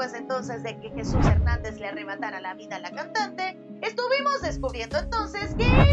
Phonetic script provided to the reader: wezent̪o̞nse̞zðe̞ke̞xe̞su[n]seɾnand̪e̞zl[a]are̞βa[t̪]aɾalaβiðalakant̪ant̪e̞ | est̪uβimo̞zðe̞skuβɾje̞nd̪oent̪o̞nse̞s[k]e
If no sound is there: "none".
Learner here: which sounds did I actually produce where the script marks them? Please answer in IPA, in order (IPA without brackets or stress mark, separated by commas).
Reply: none, e, t̪, k